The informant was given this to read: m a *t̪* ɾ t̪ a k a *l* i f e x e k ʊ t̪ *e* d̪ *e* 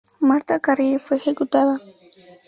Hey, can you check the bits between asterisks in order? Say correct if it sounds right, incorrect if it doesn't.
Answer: incorrect: none, incorrect: ɾ, incorrect: a, incorrect: a

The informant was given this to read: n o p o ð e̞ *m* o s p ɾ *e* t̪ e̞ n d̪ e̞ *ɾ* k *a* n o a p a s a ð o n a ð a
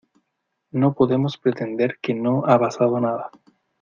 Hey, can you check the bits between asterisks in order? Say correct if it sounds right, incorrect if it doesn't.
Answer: correct, correct, correct, incorrect: e

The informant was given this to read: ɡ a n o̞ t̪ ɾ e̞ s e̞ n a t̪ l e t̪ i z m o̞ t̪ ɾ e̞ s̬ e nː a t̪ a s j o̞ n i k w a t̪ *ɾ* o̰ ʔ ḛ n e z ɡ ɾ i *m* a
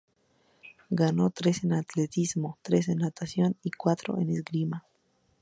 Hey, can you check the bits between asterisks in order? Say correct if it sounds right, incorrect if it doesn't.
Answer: correct, correct

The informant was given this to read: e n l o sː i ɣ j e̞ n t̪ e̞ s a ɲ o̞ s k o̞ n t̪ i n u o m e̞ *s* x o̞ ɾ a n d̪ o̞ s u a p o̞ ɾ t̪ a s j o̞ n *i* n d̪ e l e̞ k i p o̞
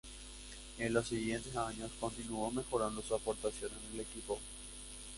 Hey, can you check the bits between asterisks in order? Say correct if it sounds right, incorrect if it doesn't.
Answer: incorrect: none, incorrect: e

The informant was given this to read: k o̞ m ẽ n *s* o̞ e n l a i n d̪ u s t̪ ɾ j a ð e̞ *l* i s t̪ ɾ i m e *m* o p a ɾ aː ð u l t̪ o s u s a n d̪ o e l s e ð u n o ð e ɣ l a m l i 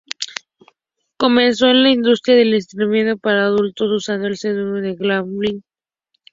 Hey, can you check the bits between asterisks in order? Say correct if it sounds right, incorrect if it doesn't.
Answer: correct, correct, incorrect: n

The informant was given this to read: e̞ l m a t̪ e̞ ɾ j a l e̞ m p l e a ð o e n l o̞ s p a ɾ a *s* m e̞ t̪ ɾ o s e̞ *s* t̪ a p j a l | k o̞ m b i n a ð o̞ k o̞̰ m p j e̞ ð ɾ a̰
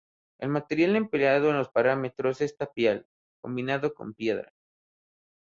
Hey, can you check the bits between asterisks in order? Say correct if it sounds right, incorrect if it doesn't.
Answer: incorrect: none, correct

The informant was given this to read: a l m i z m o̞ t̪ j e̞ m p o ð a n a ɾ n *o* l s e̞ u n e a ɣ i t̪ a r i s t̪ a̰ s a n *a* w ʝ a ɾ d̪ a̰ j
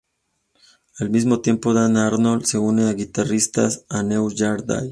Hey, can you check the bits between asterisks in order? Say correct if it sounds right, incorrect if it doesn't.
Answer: correct, incorrect: e

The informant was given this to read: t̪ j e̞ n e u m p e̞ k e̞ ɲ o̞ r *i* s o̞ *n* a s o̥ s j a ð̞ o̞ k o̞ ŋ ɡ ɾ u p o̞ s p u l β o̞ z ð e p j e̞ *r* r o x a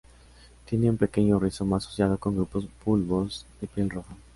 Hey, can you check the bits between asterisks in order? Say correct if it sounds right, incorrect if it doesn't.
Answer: correct, incorrect: m, incorrect: l

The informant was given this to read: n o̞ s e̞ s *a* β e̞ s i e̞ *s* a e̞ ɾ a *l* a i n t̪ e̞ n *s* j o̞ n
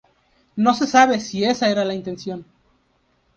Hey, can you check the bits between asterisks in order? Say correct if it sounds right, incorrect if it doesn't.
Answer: correct, correct, correct, correct

